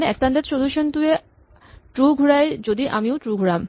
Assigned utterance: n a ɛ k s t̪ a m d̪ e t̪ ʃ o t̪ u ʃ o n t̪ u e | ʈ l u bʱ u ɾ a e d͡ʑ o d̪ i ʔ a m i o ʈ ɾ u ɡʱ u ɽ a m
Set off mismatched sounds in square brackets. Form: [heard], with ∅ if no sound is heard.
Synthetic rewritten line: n [e] ɛ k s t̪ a [n] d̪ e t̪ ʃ o [d̪] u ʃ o n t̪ u e | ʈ [ɾ] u [ɡʱ] u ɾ a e d͡ʑ o d̪ i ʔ a m i o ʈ ɾ u ɡʱ u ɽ a m